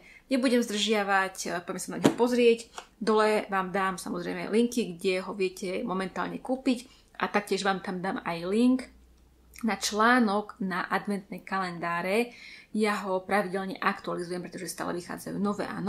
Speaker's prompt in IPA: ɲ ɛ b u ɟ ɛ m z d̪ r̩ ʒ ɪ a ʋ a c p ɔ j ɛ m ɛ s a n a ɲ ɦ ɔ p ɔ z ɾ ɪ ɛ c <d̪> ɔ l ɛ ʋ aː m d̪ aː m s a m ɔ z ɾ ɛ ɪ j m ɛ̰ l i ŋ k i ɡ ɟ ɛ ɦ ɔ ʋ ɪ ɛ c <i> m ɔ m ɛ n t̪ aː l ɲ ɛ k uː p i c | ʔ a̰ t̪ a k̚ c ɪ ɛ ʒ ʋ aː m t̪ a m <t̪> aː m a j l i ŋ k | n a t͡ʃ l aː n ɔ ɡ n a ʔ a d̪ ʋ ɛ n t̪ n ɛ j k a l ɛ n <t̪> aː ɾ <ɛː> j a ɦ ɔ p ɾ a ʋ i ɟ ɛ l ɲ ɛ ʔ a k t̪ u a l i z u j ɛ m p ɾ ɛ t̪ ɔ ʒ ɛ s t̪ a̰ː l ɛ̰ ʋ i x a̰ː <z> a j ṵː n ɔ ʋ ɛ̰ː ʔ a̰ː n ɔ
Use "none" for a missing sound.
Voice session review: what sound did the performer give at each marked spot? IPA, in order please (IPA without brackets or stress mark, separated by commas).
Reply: d̪, ɛ, d̪, d̪, ɛ, d͡z